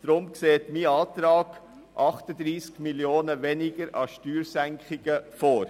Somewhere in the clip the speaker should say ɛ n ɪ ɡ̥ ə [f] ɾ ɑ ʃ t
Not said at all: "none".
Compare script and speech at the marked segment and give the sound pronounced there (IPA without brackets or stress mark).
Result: none